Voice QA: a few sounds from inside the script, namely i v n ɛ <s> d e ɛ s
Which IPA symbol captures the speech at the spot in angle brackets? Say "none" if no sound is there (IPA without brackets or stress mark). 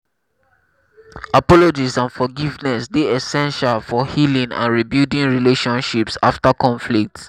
s